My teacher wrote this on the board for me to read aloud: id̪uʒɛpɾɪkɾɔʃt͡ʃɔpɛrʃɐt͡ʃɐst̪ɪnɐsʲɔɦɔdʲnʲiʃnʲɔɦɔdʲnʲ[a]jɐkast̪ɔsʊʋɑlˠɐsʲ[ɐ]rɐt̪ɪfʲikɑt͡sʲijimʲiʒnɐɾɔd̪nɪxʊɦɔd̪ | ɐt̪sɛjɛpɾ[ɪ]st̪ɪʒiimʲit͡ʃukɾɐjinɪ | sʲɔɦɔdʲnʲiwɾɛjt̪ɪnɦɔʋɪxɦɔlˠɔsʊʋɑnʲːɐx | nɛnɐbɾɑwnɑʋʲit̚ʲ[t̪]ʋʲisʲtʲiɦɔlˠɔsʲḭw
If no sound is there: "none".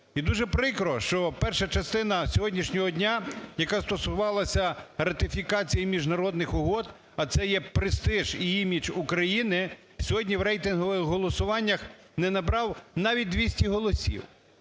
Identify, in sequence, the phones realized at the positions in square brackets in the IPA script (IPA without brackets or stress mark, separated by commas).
a, ɐ, ɪ, d̪